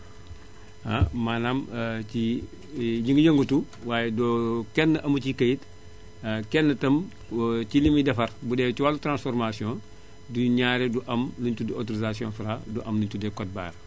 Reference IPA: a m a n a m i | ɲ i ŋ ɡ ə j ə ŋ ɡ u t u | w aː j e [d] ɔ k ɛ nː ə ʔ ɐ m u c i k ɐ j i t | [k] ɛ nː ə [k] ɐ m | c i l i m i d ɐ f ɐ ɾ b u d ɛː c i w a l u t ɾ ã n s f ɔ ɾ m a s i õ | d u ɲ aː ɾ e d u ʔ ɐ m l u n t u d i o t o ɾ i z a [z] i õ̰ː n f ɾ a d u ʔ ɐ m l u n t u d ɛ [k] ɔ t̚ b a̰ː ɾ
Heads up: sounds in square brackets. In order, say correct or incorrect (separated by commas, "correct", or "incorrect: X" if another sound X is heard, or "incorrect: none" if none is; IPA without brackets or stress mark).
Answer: correct, correct, incorrect: t, incorrect: s, correct